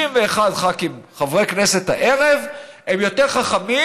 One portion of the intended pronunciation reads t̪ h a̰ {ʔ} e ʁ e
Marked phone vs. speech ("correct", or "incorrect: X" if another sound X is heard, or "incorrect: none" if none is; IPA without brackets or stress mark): correct